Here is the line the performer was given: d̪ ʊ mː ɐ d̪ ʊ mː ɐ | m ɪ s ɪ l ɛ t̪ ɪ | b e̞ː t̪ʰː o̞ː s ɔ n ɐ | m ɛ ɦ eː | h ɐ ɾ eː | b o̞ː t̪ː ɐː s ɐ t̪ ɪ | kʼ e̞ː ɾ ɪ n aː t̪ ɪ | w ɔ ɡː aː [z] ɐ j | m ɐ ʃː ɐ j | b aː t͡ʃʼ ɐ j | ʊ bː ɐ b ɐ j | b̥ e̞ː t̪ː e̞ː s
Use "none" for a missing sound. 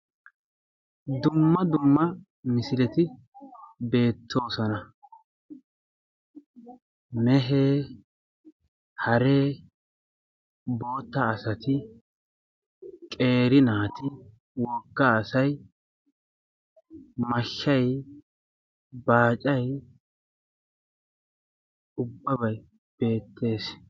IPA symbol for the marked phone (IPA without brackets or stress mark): s